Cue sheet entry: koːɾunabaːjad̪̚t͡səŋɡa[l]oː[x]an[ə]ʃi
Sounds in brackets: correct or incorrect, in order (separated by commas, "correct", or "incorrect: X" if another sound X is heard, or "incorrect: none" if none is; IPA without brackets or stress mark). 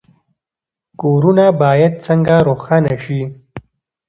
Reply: incorrect: ɾ, correct, incorrect: a